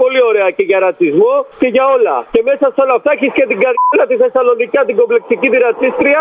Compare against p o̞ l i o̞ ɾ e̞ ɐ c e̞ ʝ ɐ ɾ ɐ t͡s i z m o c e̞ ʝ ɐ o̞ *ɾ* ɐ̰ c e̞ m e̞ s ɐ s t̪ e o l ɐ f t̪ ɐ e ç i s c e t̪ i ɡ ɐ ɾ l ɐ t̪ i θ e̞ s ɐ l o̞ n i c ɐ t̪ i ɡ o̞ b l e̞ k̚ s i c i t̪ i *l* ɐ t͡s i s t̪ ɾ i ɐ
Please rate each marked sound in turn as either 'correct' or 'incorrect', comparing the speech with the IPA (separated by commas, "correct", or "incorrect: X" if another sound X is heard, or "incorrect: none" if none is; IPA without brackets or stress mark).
incorrect: l, incorrect: ɾ